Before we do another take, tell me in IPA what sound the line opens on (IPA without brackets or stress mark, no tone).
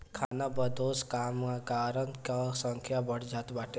kʰ